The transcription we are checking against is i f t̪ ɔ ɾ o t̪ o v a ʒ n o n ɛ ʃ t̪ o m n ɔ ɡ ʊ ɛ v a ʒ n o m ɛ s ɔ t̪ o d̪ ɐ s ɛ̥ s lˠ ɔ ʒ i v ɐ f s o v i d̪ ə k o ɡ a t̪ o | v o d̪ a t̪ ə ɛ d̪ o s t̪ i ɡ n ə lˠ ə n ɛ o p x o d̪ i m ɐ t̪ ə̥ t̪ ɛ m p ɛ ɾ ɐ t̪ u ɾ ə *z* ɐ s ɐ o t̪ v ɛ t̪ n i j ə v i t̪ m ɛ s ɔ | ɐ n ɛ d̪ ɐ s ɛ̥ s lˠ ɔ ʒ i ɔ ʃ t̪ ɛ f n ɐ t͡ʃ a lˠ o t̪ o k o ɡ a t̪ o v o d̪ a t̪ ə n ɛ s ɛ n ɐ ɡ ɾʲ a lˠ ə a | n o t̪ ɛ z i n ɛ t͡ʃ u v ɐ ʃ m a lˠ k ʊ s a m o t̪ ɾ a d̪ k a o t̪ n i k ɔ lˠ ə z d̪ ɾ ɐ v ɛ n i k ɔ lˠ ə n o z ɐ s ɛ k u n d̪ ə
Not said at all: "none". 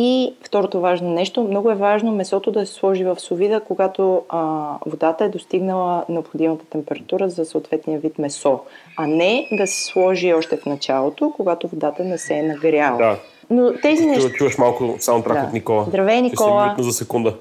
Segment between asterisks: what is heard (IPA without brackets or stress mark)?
z